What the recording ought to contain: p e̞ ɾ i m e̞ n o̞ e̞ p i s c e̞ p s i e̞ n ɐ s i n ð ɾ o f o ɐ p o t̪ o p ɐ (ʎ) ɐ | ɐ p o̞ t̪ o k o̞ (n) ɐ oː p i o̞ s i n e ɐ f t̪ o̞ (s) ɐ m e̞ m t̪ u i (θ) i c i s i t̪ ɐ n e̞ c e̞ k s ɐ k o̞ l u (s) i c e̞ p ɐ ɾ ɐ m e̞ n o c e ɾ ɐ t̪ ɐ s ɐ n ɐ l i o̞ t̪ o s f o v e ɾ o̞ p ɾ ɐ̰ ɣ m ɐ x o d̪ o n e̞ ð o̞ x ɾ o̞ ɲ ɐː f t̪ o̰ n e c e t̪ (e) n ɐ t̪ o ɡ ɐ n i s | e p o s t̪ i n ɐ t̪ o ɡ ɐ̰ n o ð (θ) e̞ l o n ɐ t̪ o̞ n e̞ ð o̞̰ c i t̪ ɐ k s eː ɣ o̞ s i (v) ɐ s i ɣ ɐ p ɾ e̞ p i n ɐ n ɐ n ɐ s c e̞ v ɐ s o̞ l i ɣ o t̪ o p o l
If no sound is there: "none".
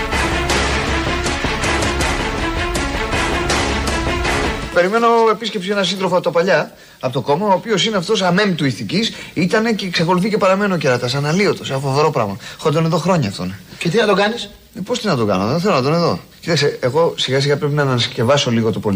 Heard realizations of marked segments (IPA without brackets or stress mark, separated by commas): ʎ, m, s, θ, θ, i, θ, ɣ